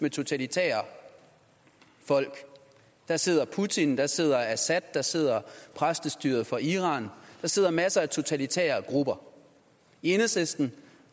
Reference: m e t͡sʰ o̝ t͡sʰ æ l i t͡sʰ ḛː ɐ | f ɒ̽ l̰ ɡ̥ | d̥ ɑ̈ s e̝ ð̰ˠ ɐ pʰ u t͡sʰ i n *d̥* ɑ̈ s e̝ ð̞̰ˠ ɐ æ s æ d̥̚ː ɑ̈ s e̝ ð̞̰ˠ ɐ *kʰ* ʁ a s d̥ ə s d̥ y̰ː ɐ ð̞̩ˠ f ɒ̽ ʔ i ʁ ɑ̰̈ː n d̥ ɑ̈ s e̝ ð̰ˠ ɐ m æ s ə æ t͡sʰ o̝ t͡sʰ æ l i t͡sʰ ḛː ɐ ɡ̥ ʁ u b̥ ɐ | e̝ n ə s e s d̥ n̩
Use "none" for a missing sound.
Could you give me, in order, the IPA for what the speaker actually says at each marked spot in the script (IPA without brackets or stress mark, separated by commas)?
d̥, pʰ